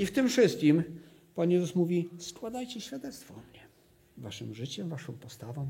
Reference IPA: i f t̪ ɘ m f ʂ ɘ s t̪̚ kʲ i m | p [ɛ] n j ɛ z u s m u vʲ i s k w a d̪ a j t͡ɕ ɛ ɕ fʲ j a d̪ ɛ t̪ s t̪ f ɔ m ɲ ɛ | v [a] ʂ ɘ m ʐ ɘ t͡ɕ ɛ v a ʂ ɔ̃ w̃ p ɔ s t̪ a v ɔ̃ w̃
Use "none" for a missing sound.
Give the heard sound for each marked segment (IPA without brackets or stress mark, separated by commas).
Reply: a, a